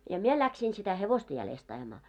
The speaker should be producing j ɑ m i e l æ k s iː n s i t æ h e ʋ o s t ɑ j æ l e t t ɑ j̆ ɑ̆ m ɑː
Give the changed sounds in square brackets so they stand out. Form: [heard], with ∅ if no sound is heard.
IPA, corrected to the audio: j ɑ m i e l æ k s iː n s i t æ h e ʋ o s t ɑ j æ l e [s] t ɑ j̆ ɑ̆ m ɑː